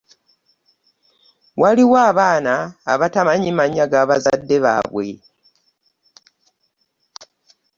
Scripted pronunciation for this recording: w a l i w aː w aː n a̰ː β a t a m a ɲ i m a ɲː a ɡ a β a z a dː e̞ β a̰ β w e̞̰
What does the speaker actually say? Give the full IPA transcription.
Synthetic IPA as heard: w a l i w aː β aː n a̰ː β a t a m a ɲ i m a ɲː a ɡ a β a z a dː e̞ β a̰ β w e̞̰